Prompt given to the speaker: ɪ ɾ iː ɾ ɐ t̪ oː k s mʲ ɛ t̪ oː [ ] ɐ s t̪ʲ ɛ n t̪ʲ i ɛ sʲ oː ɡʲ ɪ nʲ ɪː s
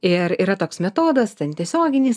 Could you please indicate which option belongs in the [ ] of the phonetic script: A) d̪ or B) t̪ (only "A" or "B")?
A